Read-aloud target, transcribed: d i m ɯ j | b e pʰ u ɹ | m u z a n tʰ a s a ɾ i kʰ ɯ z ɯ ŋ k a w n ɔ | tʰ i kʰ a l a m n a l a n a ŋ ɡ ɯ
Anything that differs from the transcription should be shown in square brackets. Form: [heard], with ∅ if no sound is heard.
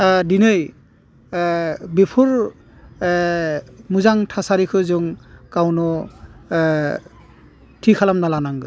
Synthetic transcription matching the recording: d i [n] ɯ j | b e pʰ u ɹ | m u z a [ŋ] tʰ a s a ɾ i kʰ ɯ z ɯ ŋ k a w n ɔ | tʰ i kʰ a l a m n a l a n a ŋ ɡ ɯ